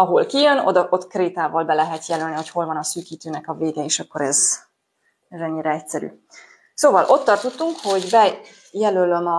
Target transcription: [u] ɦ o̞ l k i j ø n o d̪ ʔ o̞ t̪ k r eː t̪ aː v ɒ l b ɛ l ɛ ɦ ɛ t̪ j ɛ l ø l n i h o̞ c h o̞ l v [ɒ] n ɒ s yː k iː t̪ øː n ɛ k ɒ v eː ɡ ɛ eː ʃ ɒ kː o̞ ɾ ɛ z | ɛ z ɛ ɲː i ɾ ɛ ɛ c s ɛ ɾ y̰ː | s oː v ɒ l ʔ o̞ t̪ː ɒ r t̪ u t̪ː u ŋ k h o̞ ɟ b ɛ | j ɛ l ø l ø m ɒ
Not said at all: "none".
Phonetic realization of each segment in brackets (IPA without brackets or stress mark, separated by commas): ɒ, ɒ